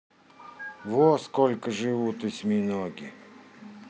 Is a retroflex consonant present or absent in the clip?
present